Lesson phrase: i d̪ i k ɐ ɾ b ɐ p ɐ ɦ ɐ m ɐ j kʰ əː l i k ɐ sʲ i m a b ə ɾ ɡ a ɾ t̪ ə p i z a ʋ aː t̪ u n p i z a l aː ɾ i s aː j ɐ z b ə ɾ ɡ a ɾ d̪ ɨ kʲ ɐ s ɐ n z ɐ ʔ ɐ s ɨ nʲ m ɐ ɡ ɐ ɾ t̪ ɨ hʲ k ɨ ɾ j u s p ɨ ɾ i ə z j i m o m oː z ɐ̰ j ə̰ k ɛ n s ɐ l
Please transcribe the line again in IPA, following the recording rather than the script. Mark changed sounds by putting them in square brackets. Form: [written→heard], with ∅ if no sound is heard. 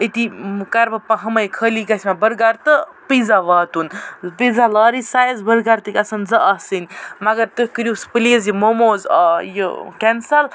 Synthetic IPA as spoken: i [d̪→t̪] i k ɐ ɾ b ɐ p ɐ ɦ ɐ m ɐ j kʰ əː l i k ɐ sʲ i m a b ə ɾ ɡ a ɾ t̪ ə p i z a ʋ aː t̪ u n p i z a l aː ɾ i s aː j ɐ z b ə ɾ ɡ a ɾ [d̪→t̪] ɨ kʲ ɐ s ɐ n z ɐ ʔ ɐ s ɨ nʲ m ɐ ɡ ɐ ɾ t̪ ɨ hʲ k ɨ ɾ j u s p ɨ [ɾ→l] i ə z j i m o m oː z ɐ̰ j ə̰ k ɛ n s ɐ l